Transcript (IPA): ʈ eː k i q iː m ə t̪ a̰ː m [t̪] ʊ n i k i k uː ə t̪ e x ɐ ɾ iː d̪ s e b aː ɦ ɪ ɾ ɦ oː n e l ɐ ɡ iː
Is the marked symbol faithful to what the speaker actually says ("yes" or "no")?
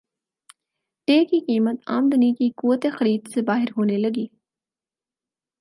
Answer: no